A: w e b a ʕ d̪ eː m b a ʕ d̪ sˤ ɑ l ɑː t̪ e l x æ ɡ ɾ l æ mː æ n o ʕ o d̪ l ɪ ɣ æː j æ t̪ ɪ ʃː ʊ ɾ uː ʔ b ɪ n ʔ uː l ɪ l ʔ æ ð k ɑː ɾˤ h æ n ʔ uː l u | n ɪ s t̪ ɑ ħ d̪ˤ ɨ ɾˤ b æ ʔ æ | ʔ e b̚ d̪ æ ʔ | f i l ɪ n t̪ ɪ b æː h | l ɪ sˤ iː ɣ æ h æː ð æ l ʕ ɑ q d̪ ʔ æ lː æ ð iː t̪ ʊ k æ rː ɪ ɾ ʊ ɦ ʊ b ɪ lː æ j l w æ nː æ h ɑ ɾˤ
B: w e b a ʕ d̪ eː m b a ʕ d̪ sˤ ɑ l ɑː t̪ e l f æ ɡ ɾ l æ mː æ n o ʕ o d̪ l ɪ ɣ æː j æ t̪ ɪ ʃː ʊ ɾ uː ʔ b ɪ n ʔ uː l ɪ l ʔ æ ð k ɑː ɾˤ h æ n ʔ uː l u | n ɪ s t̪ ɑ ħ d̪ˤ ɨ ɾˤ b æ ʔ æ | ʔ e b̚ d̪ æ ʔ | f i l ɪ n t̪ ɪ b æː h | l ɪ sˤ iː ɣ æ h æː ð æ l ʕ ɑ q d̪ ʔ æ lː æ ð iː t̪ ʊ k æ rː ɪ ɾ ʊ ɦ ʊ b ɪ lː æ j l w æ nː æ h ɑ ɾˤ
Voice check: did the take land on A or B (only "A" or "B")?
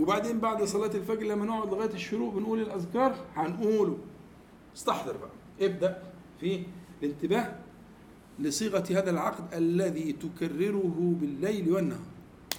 B